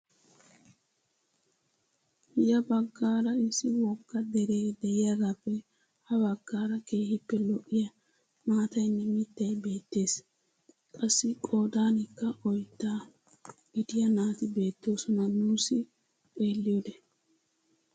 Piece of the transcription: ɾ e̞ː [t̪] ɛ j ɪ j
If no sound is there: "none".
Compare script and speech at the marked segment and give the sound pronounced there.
d̪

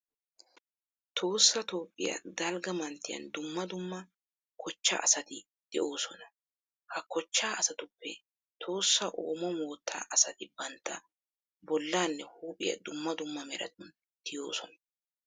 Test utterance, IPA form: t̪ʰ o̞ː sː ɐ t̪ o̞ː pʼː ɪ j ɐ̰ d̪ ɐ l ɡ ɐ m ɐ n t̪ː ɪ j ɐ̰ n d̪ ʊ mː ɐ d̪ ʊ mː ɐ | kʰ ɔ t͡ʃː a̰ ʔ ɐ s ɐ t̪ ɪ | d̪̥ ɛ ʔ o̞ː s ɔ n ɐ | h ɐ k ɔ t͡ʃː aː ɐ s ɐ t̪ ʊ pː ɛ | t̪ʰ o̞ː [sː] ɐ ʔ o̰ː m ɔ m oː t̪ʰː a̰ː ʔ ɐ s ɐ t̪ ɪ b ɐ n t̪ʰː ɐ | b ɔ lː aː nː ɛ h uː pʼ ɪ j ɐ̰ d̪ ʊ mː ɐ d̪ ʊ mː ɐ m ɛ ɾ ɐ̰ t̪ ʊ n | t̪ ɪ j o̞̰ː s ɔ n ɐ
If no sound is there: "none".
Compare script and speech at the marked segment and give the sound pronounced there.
sː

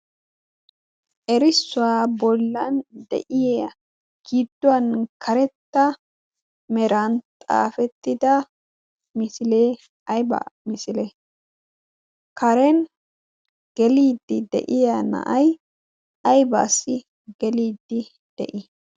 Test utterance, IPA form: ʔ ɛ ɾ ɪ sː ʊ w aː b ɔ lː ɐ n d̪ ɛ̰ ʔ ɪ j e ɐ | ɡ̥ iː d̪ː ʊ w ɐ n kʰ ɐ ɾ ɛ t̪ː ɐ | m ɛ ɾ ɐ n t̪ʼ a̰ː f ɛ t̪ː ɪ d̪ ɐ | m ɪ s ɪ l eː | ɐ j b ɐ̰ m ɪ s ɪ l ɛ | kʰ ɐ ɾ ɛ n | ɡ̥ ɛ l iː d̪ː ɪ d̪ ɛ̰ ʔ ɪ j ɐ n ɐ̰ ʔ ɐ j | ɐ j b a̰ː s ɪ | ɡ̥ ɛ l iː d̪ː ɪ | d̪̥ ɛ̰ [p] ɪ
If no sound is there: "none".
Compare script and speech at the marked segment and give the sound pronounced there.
ʔ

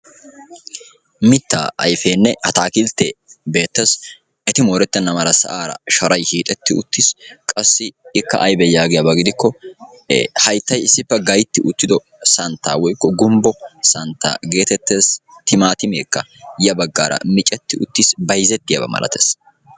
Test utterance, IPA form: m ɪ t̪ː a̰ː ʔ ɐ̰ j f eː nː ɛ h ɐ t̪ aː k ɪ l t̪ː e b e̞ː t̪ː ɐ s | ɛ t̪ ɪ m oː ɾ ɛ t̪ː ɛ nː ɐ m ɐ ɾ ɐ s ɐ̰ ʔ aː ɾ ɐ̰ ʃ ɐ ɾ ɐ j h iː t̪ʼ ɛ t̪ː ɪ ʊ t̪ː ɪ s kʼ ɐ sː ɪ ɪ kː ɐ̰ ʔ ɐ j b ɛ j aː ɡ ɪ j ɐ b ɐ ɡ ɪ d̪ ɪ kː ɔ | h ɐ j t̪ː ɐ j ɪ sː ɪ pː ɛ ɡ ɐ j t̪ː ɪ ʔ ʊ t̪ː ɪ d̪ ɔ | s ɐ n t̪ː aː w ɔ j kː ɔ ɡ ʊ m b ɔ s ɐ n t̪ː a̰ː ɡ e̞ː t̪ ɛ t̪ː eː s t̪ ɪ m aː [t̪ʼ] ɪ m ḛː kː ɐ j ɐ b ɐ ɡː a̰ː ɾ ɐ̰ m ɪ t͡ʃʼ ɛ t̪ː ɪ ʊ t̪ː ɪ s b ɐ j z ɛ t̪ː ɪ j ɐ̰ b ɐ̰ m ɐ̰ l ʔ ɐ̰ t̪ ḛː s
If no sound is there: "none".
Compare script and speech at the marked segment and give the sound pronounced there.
t̪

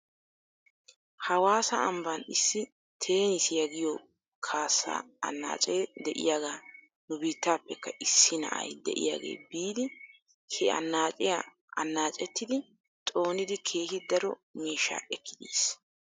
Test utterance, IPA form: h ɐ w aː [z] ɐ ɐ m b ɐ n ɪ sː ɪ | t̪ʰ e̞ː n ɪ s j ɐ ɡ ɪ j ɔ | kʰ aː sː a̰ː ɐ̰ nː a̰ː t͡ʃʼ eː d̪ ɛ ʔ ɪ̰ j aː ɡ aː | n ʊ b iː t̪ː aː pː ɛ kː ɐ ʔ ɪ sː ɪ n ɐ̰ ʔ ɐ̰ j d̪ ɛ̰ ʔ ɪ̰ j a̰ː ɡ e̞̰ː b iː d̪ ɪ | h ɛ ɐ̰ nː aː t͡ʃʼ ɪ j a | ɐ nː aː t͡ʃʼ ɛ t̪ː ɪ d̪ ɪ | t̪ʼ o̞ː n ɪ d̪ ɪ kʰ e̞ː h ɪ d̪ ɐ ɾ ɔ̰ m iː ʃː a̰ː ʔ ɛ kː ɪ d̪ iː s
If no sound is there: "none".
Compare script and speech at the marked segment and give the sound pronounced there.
s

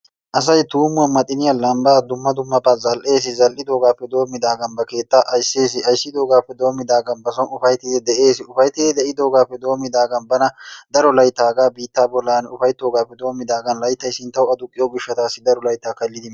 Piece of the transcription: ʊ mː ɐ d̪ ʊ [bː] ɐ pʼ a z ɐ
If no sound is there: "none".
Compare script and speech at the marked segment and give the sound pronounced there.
mː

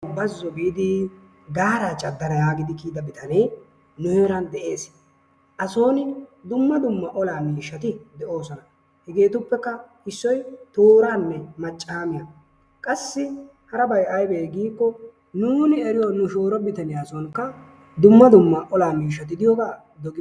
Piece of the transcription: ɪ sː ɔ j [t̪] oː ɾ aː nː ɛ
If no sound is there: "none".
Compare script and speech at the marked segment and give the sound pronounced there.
t̪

